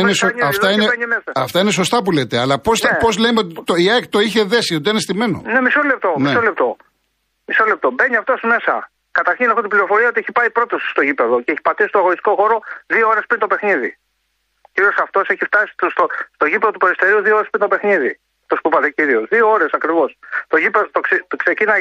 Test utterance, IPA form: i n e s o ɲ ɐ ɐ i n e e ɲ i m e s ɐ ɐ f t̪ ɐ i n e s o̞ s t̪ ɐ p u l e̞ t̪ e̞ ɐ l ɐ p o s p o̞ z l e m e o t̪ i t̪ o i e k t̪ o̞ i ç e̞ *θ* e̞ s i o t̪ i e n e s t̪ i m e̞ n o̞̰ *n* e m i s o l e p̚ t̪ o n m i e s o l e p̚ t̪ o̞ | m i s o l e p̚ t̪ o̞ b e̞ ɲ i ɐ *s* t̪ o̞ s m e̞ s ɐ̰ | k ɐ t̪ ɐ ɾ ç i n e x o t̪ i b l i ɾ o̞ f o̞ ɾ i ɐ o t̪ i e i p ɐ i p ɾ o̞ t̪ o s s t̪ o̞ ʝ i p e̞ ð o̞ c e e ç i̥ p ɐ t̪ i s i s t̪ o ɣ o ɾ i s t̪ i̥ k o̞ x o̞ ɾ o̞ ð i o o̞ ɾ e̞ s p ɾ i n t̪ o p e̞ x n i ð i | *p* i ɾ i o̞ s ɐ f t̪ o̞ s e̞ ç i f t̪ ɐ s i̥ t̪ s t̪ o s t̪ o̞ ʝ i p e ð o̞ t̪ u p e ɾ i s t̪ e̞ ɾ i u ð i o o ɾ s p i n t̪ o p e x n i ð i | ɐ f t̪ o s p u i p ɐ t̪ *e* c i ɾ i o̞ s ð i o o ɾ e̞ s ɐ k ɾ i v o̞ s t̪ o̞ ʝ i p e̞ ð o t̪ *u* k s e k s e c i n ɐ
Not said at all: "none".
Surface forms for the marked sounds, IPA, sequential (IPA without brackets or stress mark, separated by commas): ð, n, f, c, e, o